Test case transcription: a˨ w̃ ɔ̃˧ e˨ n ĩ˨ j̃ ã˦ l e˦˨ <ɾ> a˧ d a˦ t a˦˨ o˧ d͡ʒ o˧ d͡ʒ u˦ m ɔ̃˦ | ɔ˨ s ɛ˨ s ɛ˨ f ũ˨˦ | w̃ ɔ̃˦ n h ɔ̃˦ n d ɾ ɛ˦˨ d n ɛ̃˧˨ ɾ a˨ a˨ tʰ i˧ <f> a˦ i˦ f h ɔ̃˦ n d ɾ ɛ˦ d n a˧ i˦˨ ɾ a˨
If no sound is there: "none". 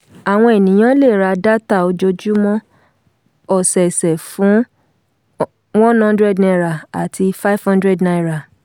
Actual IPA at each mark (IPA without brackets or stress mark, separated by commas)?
ɾ, f